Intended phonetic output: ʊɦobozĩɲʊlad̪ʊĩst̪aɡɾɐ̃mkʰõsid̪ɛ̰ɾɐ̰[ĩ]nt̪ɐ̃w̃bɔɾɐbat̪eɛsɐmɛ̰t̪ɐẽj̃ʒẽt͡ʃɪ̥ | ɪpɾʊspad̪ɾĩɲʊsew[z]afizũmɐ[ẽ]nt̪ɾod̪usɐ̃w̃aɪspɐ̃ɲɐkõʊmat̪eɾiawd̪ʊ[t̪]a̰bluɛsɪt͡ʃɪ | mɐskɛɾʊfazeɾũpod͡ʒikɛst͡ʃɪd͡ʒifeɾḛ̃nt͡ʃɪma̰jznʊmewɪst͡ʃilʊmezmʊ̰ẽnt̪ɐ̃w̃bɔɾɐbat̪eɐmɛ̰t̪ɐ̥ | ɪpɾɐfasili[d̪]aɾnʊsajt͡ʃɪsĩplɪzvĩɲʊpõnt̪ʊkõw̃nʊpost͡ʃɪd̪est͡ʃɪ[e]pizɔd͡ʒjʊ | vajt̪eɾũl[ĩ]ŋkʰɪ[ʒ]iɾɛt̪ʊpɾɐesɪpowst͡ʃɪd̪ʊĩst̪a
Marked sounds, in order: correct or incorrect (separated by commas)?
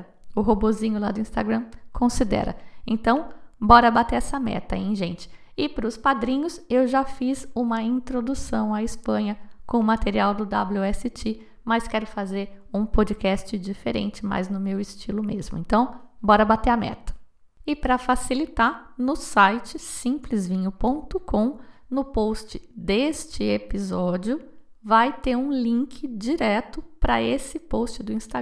incorrect, incorrect, incorrect, incorrect, incorrect, correct, correct, incorrect